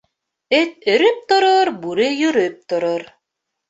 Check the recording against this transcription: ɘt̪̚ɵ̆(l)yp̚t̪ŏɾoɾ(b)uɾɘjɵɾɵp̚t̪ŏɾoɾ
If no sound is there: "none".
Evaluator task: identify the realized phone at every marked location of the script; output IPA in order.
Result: ɾ, b

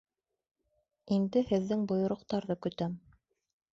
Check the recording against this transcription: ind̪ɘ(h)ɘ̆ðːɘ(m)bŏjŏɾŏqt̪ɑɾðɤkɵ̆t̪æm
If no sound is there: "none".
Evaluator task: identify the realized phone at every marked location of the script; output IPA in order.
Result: h, ŋ

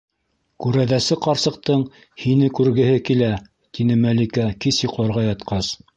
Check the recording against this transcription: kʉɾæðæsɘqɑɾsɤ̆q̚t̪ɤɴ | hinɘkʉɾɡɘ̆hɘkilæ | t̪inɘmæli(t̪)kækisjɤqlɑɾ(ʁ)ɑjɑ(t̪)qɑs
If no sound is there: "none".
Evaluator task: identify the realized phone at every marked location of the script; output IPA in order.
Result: none, ʁ, t̪

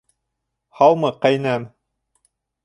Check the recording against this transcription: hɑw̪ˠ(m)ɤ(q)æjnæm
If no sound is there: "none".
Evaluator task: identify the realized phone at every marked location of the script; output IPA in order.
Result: m, q

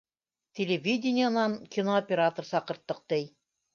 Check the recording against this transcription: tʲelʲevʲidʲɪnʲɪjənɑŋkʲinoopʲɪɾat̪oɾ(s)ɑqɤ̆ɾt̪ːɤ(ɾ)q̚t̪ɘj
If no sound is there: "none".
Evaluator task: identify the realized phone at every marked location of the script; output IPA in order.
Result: s, none

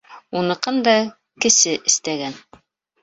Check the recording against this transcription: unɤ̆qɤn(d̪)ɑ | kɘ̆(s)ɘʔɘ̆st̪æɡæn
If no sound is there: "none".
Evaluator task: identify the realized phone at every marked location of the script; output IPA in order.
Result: d̪, s

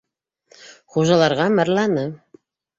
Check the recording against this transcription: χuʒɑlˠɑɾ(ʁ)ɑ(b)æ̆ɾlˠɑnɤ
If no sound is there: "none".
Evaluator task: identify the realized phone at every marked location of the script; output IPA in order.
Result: ʁ, m

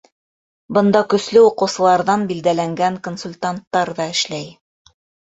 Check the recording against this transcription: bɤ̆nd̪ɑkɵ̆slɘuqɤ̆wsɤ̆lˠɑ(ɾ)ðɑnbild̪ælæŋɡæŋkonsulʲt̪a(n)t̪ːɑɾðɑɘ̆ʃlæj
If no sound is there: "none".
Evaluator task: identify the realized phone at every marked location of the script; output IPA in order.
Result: ɾ, n

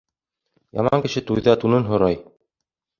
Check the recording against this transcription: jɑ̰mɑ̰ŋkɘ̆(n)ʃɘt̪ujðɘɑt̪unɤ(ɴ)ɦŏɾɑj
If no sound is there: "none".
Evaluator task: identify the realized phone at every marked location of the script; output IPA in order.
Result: none, n

